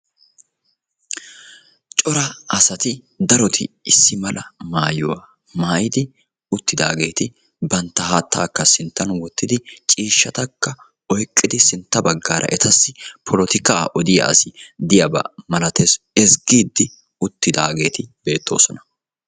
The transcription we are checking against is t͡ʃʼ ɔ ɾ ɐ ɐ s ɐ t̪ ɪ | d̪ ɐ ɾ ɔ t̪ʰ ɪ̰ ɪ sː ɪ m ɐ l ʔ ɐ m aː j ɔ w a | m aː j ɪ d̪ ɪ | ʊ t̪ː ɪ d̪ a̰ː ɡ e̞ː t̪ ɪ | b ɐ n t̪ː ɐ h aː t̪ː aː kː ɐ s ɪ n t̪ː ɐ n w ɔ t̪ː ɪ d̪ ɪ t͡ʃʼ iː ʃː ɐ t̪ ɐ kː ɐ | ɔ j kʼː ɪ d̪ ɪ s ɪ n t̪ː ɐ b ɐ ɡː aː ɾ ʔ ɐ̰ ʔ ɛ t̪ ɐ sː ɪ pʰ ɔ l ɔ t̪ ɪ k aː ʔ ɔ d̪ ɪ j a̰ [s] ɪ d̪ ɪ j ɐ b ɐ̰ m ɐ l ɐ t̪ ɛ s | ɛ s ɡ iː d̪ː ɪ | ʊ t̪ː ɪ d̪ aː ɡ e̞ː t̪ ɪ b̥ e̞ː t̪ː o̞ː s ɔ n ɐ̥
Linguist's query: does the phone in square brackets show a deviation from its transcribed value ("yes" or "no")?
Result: no